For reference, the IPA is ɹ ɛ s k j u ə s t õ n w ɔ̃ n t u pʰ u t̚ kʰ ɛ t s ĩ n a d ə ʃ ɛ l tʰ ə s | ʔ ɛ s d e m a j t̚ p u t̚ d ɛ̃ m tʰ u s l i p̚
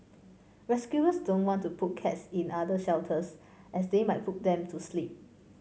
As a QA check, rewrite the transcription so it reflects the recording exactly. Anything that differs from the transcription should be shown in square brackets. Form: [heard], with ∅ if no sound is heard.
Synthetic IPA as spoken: ɹ ɛ s k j u ə s [d] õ n w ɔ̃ n t u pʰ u t̚ kʰ ɛ t s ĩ n a d ə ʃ ɛ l tʰ ə s | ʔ ɛ s d e m a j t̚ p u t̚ d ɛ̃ m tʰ u s l i p̚